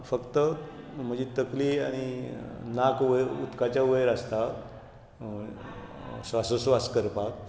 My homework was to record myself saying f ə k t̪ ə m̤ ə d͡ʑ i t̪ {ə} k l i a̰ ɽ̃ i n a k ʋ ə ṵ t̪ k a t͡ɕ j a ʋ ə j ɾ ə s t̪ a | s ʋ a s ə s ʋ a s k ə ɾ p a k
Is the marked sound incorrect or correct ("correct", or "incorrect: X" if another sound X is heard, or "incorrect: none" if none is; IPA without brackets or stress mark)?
correct